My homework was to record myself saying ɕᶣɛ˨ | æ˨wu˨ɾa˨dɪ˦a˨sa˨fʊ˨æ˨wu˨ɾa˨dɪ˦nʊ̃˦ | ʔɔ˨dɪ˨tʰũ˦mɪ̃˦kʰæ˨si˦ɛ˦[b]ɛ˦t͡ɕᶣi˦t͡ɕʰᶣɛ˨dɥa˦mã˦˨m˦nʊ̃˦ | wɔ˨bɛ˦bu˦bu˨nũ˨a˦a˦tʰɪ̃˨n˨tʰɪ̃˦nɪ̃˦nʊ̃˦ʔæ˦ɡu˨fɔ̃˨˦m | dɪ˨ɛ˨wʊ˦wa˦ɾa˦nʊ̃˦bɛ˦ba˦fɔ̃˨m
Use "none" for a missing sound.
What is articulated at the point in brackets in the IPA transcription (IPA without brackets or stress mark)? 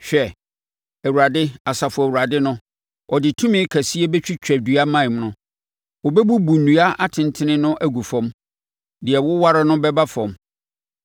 b